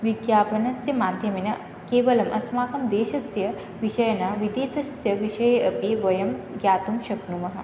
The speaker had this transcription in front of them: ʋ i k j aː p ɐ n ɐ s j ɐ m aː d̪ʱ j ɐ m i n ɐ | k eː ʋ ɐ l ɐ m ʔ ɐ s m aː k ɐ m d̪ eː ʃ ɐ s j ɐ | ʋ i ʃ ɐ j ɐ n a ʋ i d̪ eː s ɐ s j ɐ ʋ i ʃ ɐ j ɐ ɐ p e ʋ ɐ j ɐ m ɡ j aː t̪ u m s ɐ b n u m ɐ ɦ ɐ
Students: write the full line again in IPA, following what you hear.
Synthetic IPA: ʋ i ɡ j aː p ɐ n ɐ s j ɐ m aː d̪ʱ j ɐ m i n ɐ | k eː ʋ ɐ l ɐ m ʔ ɐ s m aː k ɐ m d̪ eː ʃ ɐ s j ɐ | ʋ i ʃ ɐ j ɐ n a ʋ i d̪ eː s ɐ s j ɐ ʋ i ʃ ɐ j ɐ ɐ p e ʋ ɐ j ɐ m ɡ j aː t̪ u m ʃ ɐ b n u m ɐ ɦ ɐ

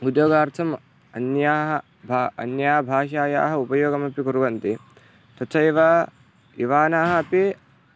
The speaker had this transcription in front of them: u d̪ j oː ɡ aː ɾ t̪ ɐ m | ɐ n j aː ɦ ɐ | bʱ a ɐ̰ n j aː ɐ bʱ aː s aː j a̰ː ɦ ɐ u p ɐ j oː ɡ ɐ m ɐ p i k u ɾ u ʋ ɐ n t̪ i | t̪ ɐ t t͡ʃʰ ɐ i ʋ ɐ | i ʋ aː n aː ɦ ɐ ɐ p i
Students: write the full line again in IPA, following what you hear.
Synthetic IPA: u d̪ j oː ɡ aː ɾ t̪ʰ ɐ m | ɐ n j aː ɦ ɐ | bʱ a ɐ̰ n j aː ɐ bʱ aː ʃ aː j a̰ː ɦ ɐ u p ɐ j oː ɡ ɐ m ɐ p i k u ɾ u ʋ ɐ n t̪ i | t̪ ɐ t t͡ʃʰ ɐ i ʋ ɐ | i ʋ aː n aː ɦ ɐ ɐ p i

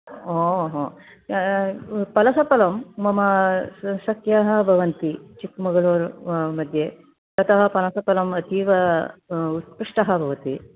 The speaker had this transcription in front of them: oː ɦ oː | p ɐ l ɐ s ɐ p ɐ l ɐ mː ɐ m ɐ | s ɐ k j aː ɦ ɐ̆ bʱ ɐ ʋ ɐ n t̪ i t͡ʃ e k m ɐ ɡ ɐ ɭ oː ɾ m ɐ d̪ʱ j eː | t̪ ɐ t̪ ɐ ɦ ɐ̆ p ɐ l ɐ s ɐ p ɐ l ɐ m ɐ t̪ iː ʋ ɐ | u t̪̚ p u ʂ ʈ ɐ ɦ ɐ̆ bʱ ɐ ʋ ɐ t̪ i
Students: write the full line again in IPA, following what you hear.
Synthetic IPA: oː ɦ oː | p ɐ l ɐ s ɐ p ɐ l ɐ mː ɐ m ɐ | s ɐ k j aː ɦ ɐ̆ bʱ ɐ ʋ ɐ n t̪ i t͡ʃ i k m ɐ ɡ ɐ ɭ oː ɾ m ɐ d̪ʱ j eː | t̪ ɐ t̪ ɐ ɦ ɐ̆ p ɐ l ɐ s ɐ p ɐ l ɐ m ɐ t̪ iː ʋ ɐ | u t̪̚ p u ʂ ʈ ɐ ɦ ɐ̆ bʱ ɐ ʋ ɐ t̪ i

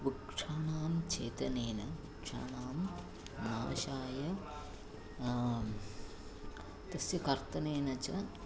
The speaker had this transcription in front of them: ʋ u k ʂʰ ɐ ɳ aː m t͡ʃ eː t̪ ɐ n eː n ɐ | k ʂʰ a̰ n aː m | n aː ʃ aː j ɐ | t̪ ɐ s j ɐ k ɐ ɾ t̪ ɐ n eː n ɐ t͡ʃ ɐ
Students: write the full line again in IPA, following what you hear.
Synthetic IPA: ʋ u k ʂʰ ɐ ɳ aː m t͡ʃ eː t̪ ɐ n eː n ɐ | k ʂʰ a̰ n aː m | n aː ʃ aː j ɐ | t̪ ɐ s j ɐ k ɐ ɾ t̪ ɐ n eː n ɐ t͡ʃ ɐ

